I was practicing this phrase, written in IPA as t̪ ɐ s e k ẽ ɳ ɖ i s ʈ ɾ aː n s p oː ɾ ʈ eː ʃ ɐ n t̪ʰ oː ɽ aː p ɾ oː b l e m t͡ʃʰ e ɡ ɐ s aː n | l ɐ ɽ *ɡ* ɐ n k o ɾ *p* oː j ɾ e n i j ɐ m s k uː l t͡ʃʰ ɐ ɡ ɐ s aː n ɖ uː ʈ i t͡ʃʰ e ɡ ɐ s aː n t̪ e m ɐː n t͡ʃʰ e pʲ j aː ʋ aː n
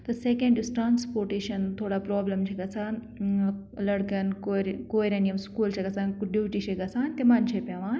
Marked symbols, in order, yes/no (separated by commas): no, no